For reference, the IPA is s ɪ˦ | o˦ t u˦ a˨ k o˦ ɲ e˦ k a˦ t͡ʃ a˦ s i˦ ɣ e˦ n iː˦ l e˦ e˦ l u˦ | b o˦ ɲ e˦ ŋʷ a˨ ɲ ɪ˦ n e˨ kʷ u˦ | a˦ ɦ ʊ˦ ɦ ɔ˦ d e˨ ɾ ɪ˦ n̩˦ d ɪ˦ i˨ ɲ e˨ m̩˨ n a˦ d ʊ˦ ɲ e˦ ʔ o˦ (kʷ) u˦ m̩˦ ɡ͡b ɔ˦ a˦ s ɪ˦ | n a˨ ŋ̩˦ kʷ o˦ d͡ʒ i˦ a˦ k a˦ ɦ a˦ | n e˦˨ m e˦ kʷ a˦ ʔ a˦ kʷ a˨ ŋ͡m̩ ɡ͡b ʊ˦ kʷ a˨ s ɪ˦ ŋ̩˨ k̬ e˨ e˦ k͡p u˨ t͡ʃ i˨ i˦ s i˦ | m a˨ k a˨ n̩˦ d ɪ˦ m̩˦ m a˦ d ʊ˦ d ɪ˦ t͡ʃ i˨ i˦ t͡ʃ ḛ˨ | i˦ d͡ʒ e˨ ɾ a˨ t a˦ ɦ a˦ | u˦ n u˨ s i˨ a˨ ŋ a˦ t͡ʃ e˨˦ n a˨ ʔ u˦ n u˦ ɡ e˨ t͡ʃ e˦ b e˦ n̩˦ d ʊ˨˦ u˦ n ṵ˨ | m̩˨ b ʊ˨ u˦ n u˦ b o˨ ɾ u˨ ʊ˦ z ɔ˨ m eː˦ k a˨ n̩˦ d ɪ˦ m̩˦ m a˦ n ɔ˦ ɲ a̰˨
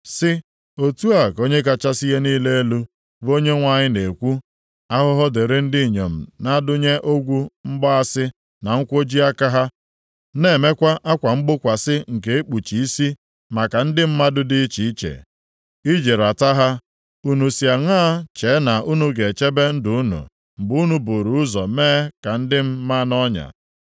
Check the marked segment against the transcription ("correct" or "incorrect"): incorrect